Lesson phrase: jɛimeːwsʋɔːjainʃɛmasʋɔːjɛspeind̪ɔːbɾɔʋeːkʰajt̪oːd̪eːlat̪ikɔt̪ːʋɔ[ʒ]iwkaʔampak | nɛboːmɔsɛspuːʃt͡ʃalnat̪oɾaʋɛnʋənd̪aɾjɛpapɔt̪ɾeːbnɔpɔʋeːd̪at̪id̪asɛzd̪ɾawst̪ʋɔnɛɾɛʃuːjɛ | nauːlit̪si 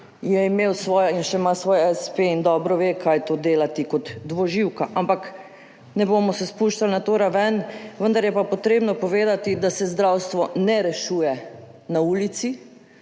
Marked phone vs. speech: correct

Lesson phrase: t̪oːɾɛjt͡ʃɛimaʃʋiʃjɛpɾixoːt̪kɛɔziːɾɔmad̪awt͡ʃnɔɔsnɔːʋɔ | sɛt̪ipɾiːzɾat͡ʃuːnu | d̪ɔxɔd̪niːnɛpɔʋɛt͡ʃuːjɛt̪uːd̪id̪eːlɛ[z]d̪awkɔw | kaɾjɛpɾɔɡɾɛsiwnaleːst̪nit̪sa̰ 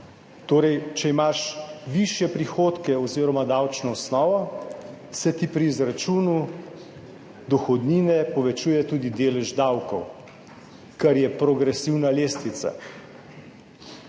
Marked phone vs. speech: incorrect: ʒ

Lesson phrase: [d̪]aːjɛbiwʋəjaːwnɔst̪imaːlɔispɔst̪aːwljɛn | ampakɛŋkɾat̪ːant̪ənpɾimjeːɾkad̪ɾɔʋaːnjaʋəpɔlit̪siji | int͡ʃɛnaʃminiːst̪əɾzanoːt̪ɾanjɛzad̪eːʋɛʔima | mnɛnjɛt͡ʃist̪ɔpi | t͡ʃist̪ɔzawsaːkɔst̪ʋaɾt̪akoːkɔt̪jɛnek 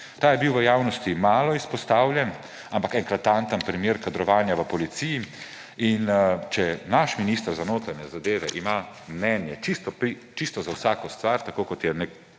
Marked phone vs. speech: incorrect: t̪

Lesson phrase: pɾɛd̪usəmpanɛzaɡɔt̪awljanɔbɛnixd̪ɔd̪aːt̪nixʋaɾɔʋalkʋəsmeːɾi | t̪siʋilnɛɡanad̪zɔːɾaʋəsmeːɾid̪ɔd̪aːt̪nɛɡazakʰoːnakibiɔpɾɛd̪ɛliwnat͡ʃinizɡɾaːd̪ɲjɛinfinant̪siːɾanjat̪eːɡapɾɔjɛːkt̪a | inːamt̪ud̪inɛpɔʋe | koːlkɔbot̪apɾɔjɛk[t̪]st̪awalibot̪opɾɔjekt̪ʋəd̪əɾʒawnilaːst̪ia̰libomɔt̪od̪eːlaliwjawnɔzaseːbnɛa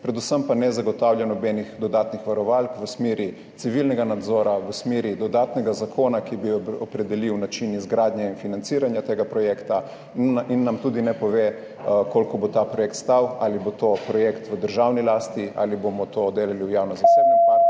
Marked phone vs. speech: correct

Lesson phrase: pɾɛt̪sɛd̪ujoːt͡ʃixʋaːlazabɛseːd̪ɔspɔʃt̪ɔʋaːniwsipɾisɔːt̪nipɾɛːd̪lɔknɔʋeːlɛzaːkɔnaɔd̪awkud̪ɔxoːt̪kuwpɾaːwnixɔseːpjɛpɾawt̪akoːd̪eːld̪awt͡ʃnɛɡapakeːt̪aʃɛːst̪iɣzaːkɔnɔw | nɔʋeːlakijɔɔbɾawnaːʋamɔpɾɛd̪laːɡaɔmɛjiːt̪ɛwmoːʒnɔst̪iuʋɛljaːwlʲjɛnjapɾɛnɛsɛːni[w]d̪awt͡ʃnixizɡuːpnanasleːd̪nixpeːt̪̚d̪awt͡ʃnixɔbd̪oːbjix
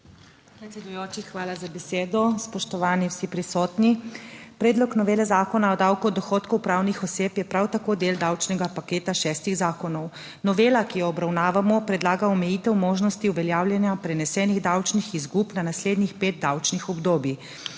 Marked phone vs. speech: incorrect: ɣ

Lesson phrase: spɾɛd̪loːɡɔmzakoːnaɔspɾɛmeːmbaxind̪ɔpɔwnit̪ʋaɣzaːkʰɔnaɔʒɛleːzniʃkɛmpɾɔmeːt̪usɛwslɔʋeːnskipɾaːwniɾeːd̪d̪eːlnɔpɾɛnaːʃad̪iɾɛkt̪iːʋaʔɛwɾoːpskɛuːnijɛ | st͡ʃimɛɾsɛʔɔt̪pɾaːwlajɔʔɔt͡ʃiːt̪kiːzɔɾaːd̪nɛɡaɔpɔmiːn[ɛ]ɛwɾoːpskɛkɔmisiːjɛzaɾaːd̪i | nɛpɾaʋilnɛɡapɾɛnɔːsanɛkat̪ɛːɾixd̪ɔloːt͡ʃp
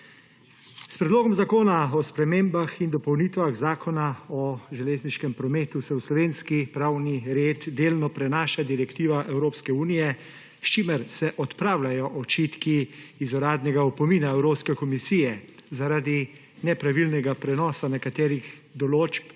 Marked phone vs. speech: incorrect: a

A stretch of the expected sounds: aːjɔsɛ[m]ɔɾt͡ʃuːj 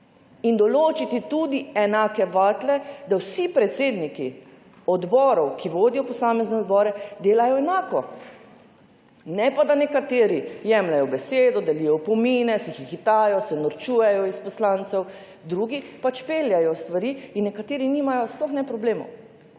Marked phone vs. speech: incorrect: n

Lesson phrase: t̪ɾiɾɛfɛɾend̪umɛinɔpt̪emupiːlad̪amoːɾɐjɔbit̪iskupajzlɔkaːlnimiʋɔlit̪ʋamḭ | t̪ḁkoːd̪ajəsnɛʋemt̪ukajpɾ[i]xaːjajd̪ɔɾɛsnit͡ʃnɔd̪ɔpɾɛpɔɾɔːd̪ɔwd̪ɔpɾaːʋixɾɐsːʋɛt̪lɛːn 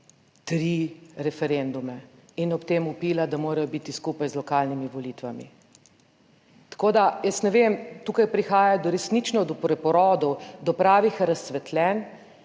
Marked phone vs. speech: correct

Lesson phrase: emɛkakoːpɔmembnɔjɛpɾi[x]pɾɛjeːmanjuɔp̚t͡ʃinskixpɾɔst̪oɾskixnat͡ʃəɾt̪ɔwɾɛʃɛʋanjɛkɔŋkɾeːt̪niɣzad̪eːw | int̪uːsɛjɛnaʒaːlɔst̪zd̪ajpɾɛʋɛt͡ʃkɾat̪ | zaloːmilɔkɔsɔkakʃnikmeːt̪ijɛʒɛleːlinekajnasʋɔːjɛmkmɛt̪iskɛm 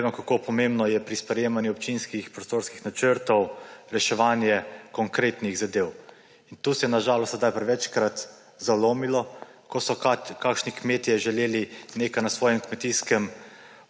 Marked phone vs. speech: incorrect: s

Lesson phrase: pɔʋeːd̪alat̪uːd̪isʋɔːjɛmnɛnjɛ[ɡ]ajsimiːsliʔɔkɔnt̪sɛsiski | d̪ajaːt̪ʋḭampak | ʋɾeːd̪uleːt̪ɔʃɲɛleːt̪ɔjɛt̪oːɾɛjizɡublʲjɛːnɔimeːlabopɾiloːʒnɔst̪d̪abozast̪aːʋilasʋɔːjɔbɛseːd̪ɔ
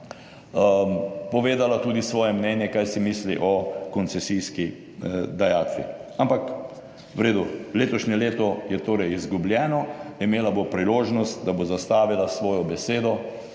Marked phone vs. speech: incorrect: k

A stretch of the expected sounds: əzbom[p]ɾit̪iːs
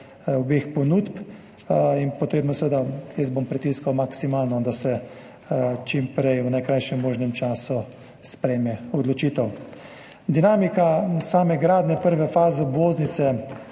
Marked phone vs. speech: correct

